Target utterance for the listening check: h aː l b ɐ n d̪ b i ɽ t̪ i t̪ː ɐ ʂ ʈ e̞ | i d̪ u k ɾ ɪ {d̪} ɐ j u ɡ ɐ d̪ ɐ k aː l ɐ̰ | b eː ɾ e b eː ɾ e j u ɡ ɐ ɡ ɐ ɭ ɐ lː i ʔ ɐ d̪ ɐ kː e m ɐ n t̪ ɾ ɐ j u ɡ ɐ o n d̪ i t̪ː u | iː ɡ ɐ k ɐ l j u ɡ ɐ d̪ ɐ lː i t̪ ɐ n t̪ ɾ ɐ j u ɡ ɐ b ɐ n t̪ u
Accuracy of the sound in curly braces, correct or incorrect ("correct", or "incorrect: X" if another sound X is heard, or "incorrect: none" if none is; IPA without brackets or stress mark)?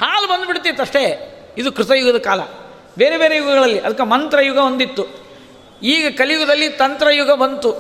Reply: incorrect: t̪